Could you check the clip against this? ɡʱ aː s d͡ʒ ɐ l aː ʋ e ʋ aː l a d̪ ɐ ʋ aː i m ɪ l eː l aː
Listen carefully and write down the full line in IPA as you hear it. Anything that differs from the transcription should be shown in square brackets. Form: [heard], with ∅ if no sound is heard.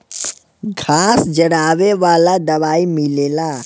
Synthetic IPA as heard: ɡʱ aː s d͡ʒ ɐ [ɽ] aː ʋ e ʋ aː l a d̪ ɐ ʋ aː i m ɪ l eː l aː